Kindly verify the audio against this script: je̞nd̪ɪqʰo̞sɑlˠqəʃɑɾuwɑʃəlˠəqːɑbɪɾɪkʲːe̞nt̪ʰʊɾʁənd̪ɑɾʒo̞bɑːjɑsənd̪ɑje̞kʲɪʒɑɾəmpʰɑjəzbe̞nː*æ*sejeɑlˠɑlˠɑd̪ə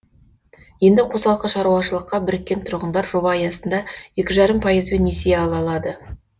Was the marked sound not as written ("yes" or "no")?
yes